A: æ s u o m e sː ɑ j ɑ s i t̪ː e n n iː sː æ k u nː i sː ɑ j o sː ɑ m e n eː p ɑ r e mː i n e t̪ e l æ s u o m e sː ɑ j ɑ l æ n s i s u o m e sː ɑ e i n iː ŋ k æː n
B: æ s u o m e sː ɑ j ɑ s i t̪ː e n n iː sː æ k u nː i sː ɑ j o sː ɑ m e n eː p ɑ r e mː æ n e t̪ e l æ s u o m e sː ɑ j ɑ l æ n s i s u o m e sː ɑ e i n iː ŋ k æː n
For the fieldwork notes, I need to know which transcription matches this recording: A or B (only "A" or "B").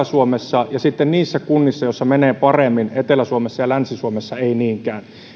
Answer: A